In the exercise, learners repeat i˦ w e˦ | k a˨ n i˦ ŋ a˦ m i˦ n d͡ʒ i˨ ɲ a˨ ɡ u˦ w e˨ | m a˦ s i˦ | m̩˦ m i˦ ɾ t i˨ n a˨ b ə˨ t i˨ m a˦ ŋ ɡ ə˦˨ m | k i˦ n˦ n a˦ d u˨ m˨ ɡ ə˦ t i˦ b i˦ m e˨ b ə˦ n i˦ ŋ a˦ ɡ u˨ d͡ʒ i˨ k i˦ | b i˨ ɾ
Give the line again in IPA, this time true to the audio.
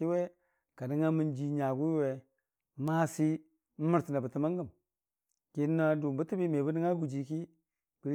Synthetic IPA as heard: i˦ w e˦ | k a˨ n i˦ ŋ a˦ m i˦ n d͡ʒ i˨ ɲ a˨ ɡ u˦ w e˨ | m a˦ s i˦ | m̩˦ m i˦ ɾ t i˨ n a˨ b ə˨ t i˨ m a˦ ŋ ɡ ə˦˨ m | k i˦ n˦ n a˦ d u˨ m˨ b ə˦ t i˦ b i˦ m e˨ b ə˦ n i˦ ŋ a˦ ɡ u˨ d͡ʒ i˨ k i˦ | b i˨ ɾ